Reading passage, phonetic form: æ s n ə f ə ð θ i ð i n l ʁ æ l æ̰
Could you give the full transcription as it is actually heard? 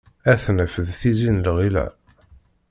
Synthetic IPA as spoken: æ θ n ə f ə ð θ i z i n l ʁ i l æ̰